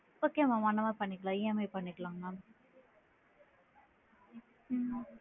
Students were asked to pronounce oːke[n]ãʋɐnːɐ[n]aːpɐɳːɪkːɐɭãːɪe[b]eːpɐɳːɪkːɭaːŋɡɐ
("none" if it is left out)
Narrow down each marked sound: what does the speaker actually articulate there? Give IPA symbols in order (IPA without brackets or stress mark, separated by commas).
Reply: m, m, m